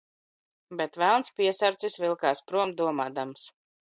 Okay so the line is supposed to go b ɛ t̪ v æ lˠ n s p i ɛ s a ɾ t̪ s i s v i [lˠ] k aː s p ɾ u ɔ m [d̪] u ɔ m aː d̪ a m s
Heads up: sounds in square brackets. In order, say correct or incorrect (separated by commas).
correct, correct